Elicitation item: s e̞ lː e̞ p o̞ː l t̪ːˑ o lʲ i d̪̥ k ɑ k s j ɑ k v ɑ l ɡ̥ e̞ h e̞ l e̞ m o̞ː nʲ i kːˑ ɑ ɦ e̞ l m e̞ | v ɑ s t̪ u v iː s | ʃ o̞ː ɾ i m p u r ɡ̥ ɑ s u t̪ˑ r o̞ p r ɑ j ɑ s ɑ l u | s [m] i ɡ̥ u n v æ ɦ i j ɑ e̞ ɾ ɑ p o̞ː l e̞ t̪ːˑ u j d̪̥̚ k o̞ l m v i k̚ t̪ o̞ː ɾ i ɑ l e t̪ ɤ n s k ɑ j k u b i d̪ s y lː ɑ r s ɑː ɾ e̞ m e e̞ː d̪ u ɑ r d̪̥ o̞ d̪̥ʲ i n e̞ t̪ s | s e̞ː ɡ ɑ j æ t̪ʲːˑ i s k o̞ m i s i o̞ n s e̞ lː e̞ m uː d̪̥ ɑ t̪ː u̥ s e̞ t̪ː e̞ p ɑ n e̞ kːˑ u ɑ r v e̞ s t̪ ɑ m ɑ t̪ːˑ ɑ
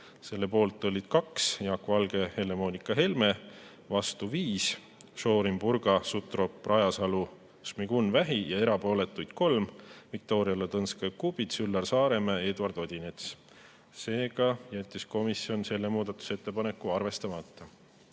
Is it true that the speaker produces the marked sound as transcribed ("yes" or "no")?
yes